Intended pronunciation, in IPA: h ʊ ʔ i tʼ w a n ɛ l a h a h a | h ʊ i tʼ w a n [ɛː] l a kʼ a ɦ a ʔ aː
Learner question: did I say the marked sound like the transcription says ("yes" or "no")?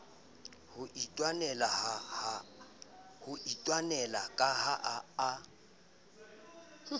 no